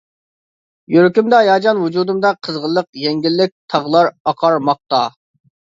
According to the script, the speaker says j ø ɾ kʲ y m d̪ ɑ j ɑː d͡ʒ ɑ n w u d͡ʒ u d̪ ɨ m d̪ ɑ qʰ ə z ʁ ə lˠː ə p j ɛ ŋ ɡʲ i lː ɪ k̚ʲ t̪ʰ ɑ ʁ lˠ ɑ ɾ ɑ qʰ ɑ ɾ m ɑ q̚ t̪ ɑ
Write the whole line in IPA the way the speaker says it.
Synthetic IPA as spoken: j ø ɾ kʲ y m d̪ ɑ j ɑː d͡ʒ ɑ n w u d͡ʒ u d̪ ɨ m d̪ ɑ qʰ ə z ʁ ə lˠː ə q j ɛ ŋ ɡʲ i lː ɪ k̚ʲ t̪ʰ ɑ ʁ lˠ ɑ ɾ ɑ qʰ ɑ ɾ m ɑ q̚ t̪ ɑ